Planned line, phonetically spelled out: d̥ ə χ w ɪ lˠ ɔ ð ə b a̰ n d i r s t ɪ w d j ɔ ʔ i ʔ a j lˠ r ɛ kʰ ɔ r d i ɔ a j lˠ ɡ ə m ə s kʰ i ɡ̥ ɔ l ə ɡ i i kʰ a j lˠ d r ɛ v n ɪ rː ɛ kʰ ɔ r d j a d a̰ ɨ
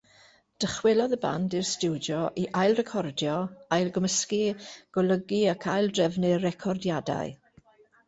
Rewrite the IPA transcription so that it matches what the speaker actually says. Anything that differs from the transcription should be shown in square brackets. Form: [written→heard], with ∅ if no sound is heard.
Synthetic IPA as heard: d̥ ə χ w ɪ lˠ ɔ ð ə b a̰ n d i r s t ɪ w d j ɔ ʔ i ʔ a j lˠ r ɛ kʰ ɔ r d [i→j] ɔ a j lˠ ɡ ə m ə s [kʰ→k] i ɡ̥ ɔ l ə ɡ i [i→a] kʰ a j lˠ d r ɛ v n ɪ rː ɛ kʰ ɔ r d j a d a̰ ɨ